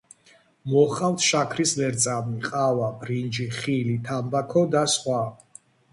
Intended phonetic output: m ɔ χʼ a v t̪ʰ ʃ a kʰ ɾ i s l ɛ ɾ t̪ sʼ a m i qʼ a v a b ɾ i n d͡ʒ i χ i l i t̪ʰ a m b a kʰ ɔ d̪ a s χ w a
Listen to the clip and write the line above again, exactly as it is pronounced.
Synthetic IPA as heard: m ɔ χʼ a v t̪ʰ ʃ a kʰ ɾ i s l ɛ ɾ t̪ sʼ a m i qʼ a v a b ɾ i n d͡ʒ i χ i l i t̪ʰ a m b a kʰ ɔ d̪ a s χ w a